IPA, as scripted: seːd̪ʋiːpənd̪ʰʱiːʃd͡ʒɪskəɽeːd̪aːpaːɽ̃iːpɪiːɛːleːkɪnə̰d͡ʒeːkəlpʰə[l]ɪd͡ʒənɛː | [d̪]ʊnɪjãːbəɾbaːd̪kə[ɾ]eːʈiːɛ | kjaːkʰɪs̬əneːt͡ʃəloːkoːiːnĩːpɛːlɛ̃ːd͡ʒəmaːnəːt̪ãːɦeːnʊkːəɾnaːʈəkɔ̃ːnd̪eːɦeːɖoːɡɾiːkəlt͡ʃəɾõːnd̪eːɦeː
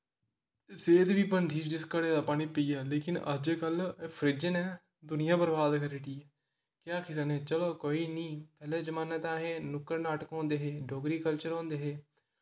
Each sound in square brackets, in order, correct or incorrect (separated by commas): incorrect, correct, correct